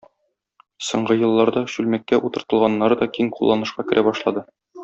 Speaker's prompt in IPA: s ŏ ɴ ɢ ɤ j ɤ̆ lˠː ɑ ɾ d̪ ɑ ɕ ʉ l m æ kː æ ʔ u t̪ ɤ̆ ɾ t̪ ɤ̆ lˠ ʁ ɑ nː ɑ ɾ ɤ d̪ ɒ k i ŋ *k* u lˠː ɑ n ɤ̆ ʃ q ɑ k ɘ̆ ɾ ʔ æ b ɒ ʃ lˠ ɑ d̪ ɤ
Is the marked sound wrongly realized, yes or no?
yes